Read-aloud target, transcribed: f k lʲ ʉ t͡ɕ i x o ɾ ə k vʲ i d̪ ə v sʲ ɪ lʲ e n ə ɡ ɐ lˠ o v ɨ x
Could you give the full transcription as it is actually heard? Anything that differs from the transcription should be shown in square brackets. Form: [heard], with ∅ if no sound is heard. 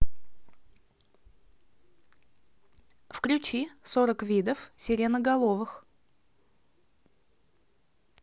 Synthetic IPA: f k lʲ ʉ t͡ɕ i [s] o ɾ ə k vʲ i d̪ ə [f] sʲ ɪ [ɾʲ] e n ə ɡ ɐ lˠ o v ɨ x